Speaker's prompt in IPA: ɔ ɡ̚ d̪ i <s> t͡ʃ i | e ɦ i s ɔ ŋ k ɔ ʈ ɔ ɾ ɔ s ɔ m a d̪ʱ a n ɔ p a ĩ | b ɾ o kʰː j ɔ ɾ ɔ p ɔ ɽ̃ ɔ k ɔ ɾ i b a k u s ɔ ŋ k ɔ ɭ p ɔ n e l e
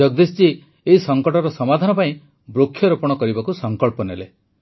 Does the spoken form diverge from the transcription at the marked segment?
no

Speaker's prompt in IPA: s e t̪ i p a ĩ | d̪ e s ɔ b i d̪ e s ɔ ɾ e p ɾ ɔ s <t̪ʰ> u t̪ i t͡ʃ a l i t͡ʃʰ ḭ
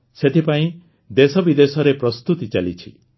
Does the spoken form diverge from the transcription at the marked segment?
yes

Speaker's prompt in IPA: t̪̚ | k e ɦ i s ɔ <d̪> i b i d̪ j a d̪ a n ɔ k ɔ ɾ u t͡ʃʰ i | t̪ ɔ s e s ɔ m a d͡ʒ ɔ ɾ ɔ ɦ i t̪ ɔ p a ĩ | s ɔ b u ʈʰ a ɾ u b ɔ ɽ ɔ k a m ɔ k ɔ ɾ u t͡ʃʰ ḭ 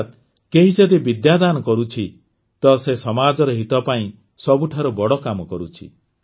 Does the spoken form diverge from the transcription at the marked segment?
no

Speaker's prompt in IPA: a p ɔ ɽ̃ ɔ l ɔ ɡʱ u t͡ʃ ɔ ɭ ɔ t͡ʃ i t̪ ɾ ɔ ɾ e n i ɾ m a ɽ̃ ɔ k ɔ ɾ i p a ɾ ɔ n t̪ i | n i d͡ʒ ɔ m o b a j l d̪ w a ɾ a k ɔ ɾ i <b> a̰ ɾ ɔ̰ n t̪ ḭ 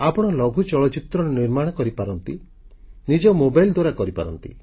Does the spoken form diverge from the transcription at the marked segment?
yes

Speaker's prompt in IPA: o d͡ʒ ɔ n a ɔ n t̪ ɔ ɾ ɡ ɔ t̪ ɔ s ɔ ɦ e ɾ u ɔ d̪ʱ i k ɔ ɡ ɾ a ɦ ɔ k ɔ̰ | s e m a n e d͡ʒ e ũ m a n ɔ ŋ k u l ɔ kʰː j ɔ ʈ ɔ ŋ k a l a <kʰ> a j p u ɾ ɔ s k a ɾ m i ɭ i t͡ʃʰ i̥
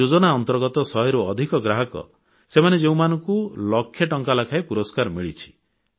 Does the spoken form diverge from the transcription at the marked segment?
no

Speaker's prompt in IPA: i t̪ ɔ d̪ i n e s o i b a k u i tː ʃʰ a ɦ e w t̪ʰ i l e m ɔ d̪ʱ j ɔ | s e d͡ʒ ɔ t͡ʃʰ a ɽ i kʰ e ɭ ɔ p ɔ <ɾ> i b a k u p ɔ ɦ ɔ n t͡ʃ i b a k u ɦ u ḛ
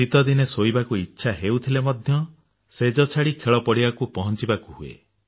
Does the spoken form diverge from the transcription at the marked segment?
yes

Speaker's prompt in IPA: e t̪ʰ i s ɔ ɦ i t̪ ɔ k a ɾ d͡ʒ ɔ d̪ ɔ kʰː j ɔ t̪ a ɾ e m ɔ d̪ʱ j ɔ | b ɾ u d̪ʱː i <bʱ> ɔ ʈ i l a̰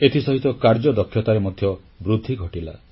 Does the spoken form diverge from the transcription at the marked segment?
yes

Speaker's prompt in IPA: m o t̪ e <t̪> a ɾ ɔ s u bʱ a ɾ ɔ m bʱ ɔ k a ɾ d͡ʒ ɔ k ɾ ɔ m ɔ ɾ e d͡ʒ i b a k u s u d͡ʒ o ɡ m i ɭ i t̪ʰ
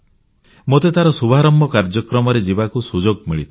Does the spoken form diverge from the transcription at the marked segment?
no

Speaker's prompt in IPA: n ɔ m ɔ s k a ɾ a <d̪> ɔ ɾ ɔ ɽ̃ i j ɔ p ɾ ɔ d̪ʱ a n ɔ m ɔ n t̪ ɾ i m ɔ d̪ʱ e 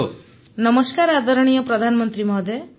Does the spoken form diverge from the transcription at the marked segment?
no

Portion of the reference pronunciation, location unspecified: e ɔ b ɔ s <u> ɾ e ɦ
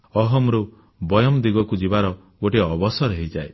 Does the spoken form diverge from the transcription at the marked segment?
yes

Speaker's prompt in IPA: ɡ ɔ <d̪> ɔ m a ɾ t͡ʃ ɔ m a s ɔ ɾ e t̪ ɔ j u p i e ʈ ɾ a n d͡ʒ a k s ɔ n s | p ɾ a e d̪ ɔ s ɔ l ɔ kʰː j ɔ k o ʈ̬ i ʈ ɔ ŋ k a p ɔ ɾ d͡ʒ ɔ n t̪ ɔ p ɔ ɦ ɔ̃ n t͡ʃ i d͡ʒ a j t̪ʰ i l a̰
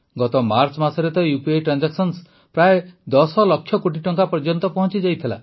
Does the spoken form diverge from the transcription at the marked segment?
yes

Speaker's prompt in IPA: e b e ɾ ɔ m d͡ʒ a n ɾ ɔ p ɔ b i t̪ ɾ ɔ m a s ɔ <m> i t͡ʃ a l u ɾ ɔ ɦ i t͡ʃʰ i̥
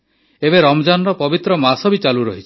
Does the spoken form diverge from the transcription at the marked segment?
yes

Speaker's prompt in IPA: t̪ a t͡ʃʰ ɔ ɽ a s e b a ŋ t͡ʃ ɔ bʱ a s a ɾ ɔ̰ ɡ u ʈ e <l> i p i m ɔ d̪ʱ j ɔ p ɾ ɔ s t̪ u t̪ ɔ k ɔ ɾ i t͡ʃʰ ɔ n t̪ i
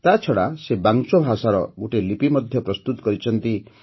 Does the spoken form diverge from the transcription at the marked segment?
no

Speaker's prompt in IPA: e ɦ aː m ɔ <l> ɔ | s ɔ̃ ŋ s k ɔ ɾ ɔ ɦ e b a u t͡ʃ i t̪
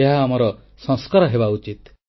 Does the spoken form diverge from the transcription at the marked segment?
yes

